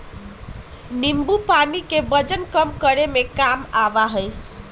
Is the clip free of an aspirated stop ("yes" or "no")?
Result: yes